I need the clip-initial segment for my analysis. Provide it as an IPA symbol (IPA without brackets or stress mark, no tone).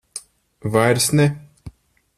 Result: v